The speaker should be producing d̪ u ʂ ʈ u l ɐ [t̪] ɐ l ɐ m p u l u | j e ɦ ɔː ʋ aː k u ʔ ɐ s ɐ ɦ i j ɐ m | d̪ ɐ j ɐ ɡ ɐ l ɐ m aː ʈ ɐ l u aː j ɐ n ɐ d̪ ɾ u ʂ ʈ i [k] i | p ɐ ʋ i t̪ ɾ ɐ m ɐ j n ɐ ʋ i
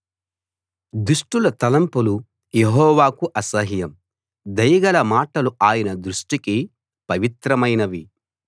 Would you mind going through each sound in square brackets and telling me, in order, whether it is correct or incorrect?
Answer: correct, correct

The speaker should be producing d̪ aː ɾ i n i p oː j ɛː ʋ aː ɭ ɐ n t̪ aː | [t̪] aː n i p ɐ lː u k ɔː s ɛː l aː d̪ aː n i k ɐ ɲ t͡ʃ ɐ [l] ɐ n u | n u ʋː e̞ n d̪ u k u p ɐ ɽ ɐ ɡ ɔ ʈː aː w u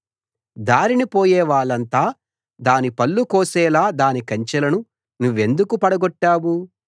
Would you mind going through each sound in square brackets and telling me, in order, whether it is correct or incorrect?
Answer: incorrect: d̪, correct

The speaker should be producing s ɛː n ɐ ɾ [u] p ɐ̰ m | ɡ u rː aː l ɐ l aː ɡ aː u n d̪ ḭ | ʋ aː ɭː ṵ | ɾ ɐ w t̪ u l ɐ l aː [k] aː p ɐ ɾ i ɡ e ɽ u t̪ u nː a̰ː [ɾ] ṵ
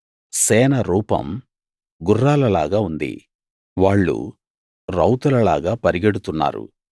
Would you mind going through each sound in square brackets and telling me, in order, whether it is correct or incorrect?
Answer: incorrect: uː, incorrect: ɡ, correct

